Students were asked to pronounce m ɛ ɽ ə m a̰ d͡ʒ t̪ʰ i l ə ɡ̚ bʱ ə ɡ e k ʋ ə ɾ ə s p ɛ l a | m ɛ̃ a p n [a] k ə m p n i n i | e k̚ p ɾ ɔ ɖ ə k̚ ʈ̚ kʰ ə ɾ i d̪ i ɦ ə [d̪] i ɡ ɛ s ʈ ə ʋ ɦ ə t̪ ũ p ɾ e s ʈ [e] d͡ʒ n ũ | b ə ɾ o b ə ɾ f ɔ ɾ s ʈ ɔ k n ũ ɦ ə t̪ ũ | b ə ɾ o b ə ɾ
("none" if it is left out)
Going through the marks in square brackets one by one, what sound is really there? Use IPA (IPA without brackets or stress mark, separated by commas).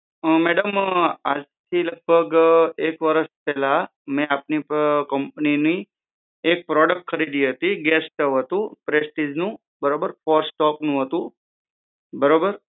i, t̪, i